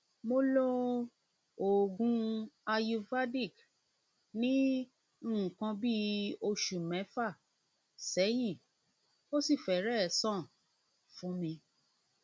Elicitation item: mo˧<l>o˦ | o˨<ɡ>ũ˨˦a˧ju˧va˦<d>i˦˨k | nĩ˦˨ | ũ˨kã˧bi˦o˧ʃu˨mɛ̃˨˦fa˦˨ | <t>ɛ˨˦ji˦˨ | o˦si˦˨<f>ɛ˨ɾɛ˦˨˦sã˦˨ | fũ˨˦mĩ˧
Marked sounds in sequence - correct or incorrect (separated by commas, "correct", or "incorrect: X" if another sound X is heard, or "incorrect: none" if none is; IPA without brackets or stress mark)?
correct, correct, correct, incorrect: s, correct